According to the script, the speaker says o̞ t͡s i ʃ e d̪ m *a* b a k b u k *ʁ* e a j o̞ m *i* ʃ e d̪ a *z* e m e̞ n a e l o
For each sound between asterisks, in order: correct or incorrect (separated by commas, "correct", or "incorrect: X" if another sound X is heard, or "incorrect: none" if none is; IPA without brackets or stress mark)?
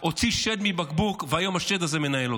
incorrect: i, incorrect: v, incorrect: a, correct